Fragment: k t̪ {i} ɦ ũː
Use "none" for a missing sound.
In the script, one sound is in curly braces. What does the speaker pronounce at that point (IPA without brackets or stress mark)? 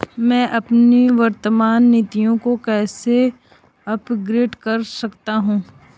a